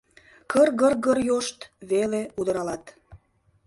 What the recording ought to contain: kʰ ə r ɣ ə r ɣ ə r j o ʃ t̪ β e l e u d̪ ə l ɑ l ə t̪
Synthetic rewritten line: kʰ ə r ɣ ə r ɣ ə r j o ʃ t̪ β e l e u d̪ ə ɾ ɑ l ɑ t̪